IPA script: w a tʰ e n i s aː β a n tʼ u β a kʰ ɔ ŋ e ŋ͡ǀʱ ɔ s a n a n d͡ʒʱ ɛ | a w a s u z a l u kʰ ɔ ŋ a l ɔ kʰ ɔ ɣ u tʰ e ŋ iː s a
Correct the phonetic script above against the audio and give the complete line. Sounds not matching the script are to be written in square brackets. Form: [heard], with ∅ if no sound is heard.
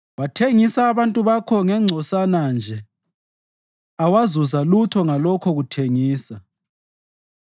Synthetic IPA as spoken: w a tʰ e [ŋ] i s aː β a n tʼ u β a kʰ ɔ ŋ [ɛ] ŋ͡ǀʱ ɔ s a n a n d͡ʒʱ ɛ | a w a [z] u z a l u [tʰ] ɔ ŋ a l ɔ kʰ ɔ ɣ u tʰ e ŋ iː s a